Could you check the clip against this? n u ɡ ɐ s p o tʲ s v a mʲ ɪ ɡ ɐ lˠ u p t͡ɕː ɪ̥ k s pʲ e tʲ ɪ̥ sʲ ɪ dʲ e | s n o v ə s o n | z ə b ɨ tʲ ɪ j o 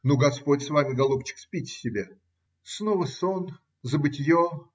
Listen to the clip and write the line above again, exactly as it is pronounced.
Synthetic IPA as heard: n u ɡ ɐ s p o tʲ s v a mʲ ɪ ɡ ɐ lˠ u p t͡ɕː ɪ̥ k s pʲ i tʲ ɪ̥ sʲ ɪ bʲ e | s n o v ə s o n | z ə b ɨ tʲ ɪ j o